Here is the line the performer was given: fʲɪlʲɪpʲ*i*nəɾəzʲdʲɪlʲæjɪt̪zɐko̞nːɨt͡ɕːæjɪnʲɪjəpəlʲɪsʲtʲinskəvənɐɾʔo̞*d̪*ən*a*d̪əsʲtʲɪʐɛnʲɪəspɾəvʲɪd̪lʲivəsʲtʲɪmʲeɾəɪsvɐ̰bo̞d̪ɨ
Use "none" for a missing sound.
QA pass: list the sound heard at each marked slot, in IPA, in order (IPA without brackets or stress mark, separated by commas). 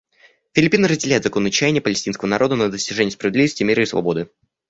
i, d̪, ə